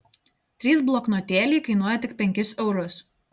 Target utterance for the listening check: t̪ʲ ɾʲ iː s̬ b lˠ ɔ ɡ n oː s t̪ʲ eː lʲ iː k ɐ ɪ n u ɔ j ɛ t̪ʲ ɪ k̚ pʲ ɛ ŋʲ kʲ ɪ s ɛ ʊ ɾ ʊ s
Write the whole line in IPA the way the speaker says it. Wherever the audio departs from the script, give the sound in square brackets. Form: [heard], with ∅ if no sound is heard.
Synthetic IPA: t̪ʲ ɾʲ iː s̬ b lˠ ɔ [k] n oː [∅] t̪ʲ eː lʲ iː k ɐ ɪ n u ɔ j ɛ t̪ʲ ɪ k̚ pʲ ɛ ŋʲ kʲ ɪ s ɛ ʊ ɾ ʊ s

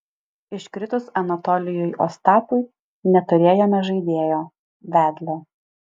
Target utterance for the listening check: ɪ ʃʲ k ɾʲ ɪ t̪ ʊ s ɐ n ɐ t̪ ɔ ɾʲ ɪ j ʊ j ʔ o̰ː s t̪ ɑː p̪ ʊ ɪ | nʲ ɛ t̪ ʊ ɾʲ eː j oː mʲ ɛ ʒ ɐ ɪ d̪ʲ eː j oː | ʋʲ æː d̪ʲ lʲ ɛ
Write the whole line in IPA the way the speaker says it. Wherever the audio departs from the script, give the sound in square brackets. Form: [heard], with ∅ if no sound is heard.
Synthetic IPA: ɪ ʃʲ k ɾʲ ɪ t̪ ʊ s ɐ n ɐ t̪ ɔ [lʲ] ɪ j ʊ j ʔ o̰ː s t̪ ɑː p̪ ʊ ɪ | nʲ ɛ t̪ ʊ ɾʲ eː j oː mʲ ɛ ʒ ɐ ɪ d̪ʲ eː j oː | ʋʲ æː d̪ʲ lʲ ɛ

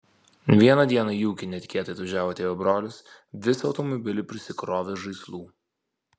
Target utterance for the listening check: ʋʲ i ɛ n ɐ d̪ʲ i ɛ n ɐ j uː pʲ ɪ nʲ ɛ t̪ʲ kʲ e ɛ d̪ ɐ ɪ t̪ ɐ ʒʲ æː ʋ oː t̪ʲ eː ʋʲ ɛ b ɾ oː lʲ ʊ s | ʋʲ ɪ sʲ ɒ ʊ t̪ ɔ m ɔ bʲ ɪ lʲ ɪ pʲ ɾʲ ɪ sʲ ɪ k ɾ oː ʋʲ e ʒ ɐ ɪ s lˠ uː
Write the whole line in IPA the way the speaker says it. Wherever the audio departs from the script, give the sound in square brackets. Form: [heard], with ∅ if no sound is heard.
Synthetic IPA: ʋʲ i ɛ n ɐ d̪ʲ i ɛ n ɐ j uː [kʲ] ɪ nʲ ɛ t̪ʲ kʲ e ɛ [t̪] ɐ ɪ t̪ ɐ ʒʲ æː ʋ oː t̪ʲ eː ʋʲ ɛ b ɾ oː lʲ ʊ s | ʋʲ ɪ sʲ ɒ ʊ t̪ ɔ m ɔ bʲ ɪ lʲ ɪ pʲ ɾʲ ɪ sʲ ɪ k ɾ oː ʋʲ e ʒ ɐ ɪ s lˠ uː

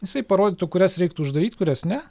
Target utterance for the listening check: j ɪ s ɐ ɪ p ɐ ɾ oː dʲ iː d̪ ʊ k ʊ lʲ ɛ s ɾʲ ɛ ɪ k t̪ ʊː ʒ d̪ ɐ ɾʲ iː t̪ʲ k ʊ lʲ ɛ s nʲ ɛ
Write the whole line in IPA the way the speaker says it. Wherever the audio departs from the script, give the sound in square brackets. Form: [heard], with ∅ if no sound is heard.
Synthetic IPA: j ɪ s ɐ ɪ p ɐ ɾ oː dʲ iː [t̪] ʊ k ʊ [ɾʲ] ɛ s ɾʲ ɛ ɪ k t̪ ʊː ʒ d̪ ɐ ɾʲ iː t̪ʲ k ʊ [ɾʲ] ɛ s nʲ ɛ

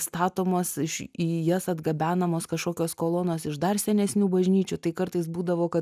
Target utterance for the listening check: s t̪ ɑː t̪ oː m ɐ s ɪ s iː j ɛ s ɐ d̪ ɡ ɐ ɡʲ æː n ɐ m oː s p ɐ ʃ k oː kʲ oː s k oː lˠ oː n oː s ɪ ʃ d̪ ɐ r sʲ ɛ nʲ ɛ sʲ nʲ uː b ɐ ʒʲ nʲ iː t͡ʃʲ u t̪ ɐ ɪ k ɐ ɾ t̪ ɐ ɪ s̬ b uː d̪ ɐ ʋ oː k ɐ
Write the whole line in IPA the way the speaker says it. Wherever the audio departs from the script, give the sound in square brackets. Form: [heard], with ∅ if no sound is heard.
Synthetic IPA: s t̪ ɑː t̪ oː m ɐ s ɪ [ʃ] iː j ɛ s ɐ d̪ ɡ ɐ [bʲ] æː n ɐ m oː s [k] ɐ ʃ k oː kʲ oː s k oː lˠ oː n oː s ɪ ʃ d̪ ɐ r sʲ ɛ nʲ ɛ sʲ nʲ uː b ɐ ʒʲ nʲ iː t͡ʃʲ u t̪ ɐ ɪ k ɐ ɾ t̪ ɐ ɪ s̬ b uː d̪ ɐ ʋ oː k ɐ

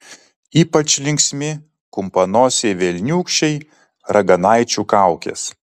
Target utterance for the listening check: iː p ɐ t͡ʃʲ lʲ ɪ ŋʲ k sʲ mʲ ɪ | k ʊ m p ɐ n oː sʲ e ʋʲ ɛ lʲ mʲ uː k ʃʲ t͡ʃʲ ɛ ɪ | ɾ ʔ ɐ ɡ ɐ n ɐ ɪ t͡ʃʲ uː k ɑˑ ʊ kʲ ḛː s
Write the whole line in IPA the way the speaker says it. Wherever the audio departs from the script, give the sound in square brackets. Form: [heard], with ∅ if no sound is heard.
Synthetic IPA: iː p ɐ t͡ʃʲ lʲ ɪ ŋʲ k sʲ mʲ ɪ | k ʊ m p ɐ n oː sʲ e ʋʲ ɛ lʲ [nʲ] uː k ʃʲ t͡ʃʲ ɛ ɪ | ɾ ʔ ɐ ɡ ɐ n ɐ ɪ t͡ʃʲ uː k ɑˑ ʊ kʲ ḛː s

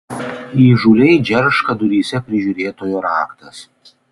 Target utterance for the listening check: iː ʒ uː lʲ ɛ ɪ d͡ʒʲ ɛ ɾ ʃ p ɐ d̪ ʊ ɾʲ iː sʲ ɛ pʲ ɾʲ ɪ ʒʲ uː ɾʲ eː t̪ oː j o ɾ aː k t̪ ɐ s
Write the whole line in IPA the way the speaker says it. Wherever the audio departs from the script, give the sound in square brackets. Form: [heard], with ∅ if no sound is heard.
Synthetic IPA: iː ʒ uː lʲ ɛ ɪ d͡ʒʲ ɛ ɾ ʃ [k] ɐ d̪ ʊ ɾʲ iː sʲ ɛ pʲ ɾʲ ɪ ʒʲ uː ɾʲ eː t̪ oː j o ɾ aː k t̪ ɐ s

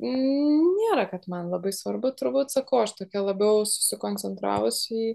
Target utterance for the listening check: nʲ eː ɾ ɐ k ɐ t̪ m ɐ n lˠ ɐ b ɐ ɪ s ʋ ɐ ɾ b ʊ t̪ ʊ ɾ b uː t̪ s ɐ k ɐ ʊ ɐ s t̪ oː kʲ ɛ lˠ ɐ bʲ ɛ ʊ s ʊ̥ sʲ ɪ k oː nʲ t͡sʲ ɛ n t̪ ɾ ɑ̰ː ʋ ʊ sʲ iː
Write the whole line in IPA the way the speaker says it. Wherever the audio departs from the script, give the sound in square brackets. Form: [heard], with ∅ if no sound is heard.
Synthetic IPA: nʲ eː ɾ ɐ k ɐ t̪ m ɐ n lˠ ɐ b ɐ ɪ s ʋ ɐ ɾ b ʊ t̪ ʊ ɾ b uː t̪ s ɐ k ɐ ʊ ɐ [ʃ] t̪ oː kʲ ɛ lˠ ɐ bʲ ɛ ʊ s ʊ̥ sʲ ɪ k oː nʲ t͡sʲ ɛ n t̪ ɾ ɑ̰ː ʋ ʊ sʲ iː

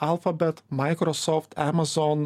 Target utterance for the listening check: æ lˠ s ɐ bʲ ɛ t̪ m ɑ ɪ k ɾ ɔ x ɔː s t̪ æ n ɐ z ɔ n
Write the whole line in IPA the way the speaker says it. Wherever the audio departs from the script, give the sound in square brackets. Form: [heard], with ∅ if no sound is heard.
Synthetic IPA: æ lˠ [f] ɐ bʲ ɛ t̪ m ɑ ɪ k ɾ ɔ [s] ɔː [f] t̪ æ [m] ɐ z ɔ n

